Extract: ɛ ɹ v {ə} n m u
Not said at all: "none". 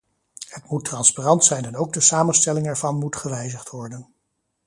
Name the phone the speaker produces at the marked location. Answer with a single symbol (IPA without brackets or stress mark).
ɑ